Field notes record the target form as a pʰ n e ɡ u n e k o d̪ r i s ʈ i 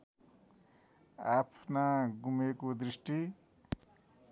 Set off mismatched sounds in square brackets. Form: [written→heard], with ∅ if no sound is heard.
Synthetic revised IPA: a pʰ n [e→a] ɡ u [n→m] e k o d̪ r i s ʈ i